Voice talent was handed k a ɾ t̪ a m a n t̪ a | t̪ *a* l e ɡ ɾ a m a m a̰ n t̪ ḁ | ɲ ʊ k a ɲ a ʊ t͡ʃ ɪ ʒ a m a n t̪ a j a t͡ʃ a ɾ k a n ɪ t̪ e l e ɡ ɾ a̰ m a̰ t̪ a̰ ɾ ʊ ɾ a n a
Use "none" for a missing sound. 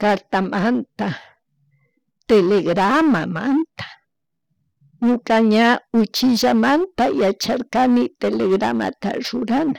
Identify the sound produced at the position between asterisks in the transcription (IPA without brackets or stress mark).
e